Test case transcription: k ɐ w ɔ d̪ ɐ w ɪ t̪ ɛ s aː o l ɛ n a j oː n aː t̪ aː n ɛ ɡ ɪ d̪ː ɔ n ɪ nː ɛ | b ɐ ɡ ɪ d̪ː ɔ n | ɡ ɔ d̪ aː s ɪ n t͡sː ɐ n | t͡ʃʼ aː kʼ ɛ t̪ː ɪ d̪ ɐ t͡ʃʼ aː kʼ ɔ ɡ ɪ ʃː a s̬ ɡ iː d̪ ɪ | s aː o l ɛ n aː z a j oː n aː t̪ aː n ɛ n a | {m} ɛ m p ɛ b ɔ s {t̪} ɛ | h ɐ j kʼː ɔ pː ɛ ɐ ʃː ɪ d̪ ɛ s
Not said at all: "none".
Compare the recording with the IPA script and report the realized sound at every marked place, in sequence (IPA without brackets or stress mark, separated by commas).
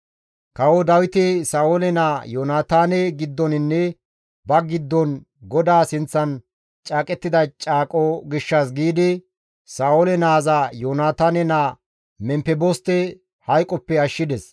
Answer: m, t̪